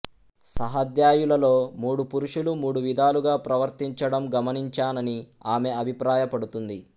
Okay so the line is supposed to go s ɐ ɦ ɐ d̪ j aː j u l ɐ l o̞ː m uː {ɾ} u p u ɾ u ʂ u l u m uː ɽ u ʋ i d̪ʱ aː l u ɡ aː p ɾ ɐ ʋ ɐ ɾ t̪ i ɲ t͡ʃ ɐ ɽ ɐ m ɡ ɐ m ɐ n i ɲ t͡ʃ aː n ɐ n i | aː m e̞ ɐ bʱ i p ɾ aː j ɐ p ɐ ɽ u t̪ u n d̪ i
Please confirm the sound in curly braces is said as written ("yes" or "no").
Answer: no